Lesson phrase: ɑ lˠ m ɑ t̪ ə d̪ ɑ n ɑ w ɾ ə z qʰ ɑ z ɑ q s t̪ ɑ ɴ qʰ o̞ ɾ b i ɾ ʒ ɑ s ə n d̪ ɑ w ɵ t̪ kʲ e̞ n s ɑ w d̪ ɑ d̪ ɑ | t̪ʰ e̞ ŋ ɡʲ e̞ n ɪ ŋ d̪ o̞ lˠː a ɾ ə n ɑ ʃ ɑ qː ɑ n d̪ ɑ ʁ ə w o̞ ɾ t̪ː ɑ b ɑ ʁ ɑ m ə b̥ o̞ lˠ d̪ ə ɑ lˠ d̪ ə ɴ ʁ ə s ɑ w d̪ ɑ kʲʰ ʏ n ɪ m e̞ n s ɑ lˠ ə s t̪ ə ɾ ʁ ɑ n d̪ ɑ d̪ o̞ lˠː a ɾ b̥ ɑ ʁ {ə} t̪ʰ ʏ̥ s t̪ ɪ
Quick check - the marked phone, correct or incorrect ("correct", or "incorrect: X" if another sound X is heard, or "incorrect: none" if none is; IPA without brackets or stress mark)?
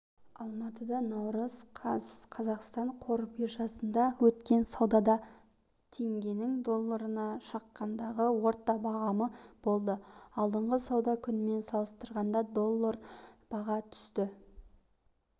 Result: incorrect: ɑ